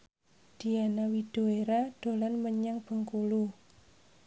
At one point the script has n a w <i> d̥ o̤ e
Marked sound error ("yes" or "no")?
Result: no